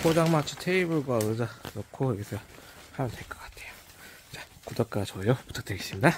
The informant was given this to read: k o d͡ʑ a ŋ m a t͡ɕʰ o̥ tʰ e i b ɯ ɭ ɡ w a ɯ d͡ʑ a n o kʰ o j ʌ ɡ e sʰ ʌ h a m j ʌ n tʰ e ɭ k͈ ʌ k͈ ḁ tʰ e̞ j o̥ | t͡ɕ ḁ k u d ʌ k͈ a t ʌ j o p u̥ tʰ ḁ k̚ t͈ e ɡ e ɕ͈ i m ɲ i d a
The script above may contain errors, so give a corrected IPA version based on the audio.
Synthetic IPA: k o d͡ʑ a ŋ m a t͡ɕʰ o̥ tʰ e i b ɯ ɭ ɡ w a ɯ d͡ʑ a n o kʰ o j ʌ ɡ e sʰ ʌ h a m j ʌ n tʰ e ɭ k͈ ʌ k͈ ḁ tʰ e̞ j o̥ | t͡ɕ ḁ k u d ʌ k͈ a t͡ɕ ʌ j o p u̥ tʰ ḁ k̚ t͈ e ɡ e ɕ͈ i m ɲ i d a